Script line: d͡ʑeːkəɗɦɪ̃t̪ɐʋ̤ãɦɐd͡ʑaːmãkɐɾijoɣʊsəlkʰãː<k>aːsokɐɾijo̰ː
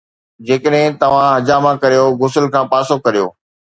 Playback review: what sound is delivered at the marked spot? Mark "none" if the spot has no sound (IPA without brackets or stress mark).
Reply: p